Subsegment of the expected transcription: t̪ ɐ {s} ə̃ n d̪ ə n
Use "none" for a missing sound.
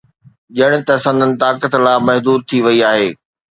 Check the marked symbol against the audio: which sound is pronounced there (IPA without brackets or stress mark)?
s